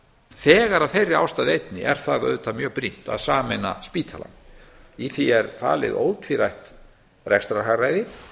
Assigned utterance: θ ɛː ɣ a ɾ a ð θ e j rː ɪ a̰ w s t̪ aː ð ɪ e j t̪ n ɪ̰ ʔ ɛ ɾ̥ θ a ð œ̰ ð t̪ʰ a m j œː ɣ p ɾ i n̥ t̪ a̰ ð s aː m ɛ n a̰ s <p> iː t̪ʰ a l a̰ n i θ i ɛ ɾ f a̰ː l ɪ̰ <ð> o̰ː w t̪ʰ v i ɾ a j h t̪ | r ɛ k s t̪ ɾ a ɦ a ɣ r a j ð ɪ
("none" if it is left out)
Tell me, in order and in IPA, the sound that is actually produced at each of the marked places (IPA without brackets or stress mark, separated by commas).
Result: p, ð